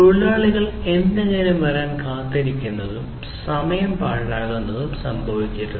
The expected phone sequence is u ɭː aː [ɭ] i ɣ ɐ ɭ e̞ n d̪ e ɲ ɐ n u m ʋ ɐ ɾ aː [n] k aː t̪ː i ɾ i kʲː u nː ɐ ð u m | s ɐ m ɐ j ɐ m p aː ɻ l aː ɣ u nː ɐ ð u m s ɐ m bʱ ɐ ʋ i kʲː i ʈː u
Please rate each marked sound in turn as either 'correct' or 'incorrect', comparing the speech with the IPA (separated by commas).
correct, correct